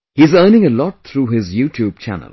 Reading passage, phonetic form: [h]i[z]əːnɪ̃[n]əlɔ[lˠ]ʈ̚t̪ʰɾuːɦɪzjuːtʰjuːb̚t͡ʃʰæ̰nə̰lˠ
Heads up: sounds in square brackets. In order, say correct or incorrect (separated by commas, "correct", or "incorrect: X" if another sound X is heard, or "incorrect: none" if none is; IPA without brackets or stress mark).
correct, correct, incorrect: ŋ, incorrect: none